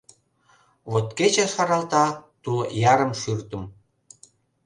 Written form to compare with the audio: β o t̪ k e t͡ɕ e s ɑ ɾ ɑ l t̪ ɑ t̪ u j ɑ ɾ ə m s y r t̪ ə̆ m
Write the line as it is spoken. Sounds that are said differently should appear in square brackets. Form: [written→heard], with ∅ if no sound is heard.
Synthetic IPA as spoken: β o t̪ k e t͡ɕ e [s→ʃ] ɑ ɾ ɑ l t̪ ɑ t̪ u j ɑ ɾ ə m [s→ʃ] y r t̪ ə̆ m

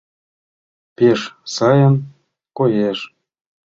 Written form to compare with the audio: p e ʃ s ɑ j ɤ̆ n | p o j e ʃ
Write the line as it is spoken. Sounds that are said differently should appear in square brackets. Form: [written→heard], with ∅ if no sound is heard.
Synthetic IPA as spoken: p e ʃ s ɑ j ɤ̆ n | [p→k] o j e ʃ

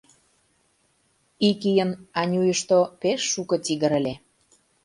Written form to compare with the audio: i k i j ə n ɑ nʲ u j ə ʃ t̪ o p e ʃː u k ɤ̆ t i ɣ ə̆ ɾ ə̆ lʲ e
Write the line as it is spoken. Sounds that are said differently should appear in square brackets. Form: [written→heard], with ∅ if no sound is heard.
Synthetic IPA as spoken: i k i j ə n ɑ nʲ u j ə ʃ t̪ o p e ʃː u k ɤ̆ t i ɣ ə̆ ɾ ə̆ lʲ e

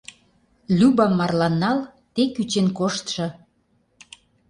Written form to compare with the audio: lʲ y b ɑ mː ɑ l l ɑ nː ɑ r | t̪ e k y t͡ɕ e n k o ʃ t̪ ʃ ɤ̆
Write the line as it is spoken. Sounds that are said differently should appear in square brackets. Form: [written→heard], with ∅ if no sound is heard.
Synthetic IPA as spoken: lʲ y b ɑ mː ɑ [l→r] l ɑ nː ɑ [r→l] | t̪ e k y t͡ɕ e n k o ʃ t̪ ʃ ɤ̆

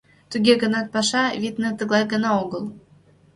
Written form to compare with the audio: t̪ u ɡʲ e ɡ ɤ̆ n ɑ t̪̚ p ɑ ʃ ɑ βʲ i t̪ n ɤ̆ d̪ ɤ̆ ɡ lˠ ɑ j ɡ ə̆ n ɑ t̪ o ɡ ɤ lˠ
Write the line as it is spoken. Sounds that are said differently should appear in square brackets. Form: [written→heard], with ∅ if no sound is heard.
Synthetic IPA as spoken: t̪ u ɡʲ e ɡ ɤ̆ n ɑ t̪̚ p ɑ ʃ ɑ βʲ i t̪ n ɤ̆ [d̪→t̪] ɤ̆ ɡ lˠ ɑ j ɡ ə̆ n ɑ [t̪→∅] o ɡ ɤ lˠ

